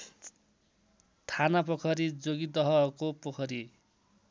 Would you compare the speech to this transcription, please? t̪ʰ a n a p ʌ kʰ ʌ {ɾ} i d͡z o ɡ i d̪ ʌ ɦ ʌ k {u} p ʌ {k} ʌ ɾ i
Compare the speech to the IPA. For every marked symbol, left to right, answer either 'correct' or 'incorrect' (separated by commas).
correct, incorrect, incorrect